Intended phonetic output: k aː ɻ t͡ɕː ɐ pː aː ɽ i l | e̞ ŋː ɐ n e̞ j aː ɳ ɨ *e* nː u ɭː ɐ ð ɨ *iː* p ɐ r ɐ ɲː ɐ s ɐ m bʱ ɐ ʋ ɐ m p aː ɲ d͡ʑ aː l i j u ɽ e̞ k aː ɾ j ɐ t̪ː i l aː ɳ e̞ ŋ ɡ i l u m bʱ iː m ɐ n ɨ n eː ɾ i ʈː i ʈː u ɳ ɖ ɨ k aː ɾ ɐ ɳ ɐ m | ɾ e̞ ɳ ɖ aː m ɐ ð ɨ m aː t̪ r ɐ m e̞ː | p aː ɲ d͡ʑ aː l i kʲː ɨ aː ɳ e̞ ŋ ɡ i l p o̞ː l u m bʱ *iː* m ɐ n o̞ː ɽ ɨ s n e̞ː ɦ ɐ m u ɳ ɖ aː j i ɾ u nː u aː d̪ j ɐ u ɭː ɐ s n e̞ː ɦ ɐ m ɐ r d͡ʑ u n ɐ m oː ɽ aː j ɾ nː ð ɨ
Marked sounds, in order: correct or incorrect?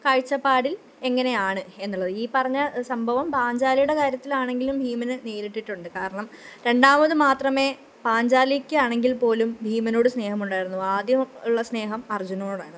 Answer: correct, correct, correct

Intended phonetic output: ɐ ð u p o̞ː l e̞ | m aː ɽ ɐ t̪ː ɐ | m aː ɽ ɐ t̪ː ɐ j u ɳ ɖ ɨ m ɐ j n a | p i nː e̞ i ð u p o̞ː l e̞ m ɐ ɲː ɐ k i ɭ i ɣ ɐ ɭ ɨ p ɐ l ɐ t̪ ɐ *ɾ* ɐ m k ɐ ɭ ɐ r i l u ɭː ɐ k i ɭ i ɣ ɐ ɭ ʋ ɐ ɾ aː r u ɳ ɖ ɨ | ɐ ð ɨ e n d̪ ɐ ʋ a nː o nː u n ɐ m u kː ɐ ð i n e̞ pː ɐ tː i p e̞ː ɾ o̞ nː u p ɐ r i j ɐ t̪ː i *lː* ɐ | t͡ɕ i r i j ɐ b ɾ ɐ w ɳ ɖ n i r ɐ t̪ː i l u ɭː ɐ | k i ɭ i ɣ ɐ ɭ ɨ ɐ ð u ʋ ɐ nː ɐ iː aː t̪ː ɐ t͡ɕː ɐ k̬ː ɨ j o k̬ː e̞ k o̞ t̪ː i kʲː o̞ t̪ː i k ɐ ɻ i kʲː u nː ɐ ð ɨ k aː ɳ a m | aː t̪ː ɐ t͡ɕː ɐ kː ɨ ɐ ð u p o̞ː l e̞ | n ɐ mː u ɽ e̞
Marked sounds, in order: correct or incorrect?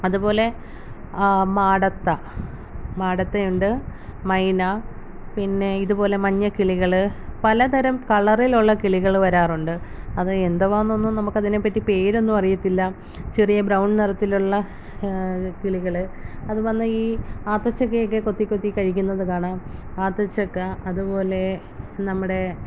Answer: correct, correct

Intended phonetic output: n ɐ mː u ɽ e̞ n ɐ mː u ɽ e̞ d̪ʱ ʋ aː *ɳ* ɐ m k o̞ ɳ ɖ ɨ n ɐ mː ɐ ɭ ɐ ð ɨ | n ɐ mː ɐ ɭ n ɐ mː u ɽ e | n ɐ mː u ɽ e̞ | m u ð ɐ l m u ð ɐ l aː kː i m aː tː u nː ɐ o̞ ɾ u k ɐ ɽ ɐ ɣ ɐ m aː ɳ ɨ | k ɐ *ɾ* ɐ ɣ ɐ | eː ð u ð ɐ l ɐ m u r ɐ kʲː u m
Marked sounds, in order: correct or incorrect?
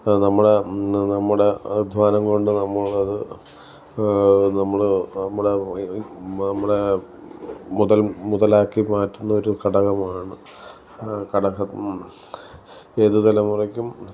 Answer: incorrect, incorrect

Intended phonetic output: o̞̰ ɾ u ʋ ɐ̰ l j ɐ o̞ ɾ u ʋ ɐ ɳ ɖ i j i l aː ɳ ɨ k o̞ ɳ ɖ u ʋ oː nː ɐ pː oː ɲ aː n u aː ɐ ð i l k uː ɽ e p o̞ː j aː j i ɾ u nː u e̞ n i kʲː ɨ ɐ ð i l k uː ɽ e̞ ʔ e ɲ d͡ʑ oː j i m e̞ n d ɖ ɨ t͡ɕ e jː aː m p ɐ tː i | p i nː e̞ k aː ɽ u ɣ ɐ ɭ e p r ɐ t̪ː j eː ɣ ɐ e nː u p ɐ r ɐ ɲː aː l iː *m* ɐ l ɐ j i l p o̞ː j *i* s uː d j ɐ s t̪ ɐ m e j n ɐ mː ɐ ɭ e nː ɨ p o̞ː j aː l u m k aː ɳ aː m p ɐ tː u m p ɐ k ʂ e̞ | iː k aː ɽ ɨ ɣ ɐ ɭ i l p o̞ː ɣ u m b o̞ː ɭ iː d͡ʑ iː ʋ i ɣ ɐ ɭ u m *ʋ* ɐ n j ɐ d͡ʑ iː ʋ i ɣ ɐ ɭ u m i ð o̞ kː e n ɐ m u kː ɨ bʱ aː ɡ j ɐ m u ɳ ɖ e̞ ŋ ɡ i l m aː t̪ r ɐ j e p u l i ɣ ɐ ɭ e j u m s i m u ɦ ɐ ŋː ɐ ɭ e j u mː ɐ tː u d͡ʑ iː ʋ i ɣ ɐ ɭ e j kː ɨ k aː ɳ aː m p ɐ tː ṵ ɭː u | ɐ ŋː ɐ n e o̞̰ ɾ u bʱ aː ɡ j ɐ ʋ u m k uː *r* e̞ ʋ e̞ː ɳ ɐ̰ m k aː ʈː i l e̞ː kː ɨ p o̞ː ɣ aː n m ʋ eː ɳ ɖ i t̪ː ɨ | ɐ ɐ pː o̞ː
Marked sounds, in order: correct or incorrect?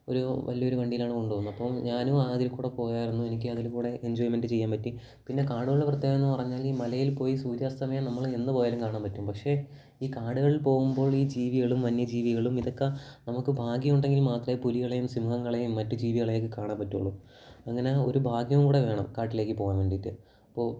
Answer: correct, correct, correct, incorrect

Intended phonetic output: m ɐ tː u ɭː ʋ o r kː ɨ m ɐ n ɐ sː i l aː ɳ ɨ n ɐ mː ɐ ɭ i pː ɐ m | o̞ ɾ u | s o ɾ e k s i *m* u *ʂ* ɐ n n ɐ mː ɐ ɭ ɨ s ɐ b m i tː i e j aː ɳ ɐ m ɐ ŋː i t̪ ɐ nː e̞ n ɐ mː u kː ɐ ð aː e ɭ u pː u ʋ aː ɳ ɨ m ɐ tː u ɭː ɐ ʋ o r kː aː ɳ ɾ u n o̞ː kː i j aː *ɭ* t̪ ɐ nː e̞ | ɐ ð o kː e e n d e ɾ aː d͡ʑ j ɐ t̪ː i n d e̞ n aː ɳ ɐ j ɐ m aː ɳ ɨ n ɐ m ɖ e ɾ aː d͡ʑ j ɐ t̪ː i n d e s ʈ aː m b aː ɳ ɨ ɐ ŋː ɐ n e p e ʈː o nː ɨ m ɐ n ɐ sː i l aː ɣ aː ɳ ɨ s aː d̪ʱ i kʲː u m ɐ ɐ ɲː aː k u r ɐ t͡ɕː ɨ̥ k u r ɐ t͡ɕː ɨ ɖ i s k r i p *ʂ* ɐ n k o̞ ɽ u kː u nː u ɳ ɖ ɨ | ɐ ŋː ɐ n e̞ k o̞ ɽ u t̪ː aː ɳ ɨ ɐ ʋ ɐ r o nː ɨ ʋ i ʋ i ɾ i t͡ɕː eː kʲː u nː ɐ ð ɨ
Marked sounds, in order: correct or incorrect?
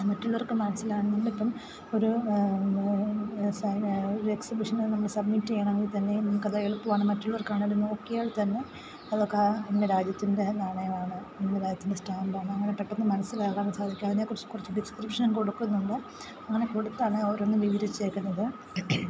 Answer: incorrect, correct, correct, correct

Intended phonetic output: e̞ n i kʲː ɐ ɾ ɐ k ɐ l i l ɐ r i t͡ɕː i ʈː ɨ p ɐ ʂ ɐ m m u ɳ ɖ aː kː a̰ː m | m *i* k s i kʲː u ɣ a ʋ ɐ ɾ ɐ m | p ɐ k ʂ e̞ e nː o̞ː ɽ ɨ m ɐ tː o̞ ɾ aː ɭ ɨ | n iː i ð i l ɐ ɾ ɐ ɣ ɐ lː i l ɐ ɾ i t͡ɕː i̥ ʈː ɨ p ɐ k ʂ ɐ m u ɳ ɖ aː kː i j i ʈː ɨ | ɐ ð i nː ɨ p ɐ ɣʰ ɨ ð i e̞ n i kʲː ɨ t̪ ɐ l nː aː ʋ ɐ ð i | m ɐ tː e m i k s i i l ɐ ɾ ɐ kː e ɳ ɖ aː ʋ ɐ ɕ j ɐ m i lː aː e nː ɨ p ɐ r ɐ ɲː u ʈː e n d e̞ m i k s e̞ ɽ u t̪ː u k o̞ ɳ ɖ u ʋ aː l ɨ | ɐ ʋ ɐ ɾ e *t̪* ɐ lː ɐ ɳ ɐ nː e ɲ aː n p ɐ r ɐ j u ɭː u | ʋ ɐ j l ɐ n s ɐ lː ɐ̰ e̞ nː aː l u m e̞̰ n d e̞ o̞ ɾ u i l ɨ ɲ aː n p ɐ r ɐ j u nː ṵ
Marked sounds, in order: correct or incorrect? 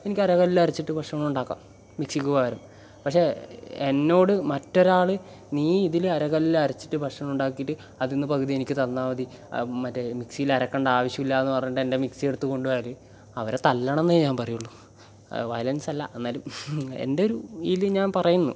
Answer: correct, correct

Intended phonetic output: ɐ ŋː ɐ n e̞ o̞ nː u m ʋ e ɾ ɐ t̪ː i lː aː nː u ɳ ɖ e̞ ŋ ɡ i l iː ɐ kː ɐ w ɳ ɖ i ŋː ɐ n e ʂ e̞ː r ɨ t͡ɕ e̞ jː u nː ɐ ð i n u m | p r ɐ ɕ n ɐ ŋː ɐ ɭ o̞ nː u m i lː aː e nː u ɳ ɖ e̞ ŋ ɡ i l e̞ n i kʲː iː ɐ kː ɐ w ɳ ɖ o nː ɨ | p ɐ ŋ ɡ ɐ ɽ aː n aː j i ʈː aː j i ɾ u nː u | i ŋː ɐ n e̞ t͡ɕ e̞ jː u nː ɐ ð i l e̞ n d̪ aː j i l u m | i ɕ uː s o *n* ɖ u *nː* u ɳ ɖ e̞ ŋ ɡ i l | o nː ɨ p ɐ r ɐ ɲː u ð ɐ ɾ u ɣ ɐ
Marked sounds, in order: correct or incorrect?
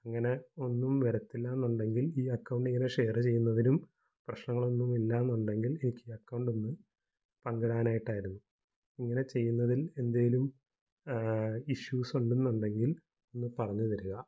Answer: incorrect, correct

